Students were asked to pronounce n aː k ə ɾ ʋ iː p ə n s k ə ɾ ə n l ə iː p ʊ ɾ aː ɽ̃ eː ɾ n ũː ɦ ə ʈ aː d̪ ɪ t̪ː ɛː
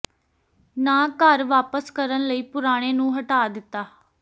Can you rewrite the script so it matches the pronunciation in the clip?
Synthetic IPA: n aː k ə ɾ ʋ aː p ə s k ə ɾ ə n l ə iː p ʊ ɾ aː ɽ̃ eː n ũː ɦ ə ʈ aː d̪ ɪ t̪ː aː